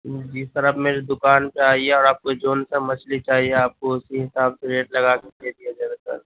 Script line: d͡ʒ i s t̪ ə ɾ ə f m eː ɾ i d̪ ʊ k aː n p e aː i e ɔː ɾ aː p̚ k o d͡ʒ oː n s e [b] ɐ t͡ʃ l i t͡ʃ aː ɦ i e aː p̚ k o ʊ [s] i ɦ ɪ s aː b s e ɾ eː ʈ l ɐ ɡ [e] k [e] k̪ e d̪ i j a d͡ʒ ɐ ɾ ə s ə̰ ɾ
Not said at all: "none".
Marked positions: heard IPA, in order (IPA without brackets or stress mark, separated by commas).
m, s, a, e